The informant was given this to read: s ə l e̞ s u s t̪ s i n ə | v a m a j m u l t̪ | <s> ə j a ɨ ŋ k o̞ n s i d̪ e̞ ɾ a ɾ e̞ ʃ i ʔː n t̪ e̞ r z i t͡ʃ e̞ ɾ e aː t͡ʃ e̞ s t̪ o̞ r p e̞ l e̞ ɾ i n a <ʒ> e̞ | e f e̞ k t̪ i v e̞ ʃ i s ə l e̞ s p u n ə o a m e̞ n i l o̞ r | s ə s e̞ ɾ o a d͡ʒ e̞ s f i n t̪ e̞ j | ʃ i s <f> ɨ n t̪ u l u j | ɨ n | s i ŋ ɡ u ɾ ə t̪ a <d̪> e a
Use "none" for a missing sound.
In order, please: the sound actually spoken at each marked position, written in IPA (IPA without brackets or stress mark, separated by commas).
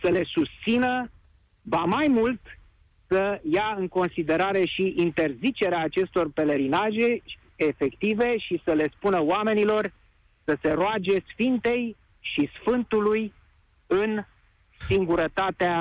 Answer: s, ʒ, f, t̪